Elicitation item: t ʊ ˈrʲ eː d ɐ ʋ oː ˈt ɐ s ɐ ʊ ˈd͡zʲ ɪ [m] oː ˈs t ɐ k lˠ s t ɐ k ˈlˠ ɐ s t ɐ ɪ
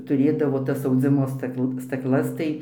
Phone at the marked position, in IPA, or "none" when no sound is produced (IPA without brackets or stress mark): m